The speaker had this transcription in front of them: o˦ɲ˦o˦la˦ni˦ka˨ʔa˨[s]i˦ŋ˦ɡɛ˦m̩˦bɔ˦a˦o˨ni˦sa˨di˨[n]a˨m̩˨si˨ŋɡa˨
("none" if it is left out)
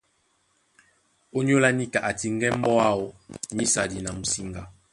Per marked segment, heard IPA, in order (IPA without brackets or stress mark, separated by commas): t, n